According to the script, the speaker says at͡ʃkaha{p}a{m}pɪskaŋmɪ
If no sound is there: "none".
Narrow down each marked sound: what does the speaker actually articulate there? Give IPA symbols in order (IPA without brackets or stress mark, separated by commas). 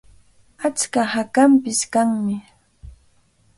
k, m